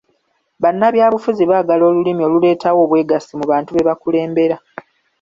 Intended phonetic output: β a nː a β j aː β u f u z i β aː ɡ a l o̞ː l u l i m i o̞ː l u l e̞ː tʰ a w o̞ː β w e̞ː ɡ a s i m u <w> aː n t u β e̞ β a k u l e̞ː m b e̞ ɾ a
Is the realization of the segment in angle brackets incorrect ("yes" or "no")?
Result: yes